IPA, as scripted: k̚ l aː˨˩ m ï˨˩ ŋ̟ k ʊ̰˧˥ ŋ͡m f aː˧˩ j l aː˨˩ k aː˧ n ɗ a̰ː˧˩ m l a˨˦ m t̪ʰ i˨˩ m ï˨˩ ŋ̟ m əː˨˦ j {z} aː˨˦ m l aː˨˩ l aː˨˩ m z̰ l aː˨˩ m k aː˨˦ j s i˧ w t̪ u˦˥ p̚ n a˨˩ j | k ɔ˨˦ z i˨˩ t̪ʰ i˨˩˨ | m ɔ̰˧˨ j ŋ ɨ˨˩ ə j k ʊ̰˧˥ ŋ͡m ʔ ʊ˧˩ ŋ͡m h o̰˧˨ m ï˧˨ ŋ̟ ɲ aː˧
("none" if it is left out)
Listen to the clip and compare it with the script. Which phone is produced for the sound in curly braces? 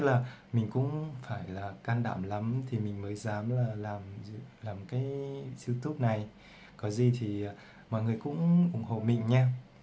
z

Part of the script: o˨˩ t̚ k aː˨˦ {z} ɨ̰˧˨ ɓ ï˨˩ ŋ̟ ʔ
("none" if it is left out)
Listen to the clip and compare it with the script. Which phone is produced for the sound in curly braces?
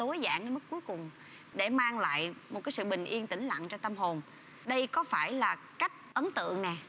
s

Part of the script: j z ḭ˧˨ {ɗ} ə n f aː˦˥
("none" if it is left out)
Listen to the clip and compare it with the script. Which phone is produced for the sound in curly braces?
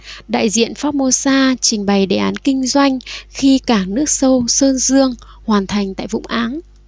none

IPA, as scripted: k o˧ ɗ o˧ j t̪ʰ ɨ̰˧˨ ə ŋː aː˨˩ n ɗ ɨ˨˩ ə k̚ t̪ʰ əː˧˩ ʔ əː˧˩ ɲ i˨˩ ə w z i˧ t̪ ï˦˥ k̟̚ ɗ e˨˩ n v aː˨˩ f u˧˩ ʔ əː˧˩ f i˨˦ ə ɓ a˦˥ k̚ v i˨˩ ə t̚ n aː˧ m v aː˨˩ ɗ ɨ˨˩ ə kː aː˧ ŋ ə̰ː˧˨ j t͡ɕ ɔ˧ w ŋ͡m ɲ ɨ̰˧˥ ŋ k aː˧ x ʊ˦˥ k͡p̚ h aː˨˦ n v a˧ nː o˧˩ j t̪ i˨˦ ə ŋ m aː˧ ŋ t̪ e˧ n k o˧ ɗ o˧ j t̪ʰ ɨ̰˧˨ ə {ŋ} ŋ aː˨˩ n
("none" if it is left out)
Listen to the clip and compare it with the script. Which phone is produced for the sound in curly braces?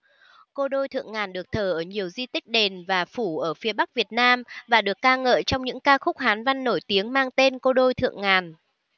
ŋ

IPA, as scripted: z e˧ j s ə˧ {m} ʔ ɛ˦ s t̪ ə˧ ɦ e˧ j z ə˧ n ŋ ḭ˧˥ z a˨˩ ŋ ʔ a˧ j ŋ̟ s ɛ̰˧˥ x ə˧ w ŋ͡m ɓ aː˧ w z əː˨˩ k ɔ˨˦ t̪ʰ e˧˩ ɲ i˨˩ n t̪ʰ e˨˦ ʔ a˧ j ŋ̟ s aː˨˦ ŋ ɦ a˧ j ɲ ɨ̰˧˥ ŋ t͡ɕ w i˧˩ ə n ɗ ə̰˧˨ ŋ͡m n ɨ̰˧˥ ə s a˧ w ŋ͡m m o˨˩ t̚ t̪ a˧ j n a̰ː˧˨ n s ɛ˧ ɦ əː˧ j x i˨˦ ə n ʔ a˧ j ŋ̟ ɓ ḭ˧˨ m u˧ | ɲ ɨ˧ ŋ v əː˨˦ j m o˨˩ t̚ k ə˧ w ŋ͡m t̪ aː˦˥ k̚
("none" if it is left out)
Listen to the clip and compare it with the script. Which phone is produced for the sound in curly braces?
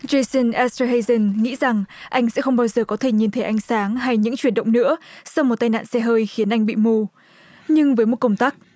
n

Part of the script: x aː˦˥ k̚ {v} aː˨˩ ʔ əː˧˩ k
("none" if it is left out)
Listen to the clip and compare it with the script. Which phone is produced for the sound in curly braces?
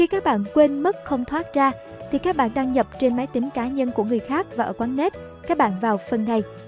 v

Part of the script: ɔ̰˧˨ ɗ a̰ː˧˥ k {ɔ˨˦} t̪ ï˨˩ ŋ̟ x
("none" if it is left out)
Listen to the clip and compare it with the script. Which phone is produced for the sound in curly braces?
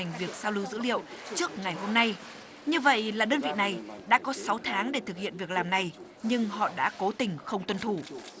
o˨˦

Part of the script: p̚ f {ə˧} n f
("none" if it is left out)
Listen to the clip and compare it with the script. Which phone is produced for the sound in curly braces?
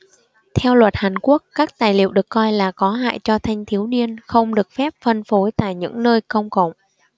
ə˧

